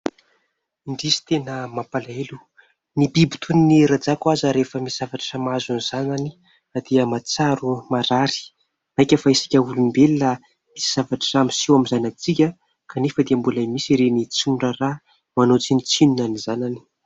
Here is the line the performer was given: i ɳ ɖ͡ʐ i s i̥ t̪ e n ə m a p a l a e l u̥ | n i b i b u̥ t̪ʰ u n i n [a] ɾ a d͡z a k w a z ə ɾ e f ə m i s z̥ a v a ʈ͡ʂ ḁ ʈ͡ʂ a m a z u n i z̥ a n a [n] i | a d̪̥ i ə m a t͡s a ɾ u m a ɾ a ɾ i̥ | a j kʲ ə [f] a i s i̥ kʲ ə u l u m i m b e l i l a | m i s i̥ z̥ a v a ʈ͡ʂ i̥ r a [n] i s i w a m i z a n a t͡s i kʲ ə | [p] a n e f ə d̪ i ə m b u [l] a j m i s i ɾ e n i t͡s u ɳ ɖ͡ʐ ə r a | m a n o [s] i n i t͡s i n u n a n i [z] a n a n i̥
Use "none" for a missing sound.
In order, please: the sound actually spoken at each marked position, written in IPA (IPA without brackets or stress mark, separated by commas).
i, n, f, m, k, l, t͡s, z